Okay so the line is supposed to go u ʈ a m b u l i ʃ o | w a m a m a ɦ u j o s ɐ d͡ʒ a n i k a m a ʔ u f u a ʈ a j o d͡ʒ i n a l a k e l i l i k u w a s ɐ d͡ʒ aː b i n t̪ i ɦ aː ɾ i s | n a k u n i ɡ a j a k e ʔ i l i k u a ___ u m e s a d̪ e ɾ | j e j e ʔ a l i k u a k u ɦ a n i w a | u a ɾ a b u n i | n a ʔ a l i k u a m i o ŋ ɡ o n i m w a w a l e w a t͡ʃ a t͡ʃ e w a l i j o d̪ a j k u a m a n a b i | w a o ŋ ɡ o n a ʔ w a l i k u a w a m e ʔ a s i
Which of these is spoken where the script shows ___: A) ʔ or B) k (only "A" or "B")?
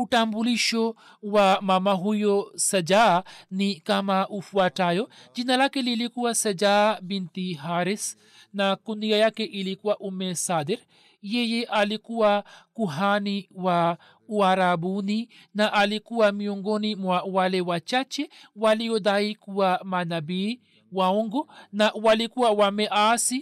A